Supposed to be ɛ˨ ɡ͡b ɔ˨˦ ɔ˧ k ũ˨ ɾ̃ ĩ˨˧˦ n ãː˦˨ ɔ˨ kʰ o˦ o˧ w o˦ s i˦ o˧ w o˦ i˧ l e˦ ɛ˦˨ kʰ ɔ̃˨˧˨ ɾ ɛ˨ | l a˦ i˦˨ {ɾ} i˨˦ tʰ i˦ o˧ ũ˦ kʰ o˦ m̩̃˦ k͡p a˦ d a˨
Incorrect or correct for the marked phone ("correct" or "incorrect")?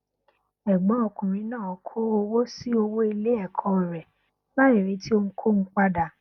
correct